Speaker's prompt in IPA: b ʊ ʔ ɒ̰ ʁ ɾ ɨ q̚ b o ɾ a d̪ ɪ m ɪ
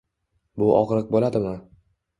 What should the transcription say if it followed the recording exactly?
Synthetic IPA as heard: b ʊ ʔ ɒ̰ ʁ ɾ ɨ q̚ b o l a d̪ ɪ m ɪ